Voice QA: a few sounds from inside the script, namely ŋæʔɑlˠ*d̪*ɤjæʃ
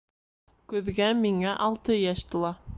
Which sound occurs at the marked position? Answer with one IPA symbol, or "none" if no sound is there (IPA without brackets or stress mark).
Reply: t̪